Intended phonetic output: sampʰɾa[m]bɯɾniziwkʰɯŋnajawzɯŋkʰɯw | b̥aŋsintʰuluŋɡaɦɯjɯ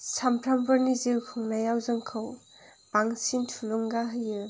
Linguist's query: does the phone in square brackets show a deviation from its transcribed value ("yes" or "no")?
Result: no